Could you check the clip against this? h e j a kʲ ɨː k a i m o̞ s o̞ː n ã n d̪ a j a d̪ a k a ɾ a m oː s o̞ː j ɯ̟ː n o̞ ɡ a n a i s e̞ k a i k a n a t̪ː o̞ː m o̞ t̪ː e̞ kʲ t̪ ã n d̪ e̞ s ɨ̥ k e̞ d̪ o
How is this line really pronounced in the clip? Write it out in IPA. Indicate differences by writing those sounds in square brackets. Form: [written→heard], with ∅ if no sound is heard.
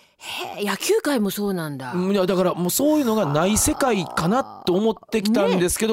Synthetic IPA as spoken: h e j a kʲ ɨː k a i m o̞ s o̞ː n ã n d̪ a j a d̪ a k a ɾ a m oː s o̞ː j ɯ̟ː n o̞ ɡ a n a i s e̞ k a i k a n a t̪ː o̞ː m o̞ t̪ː e̞ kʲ t̪ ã n d̪ e̞ s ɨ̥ k e̞ d̪ o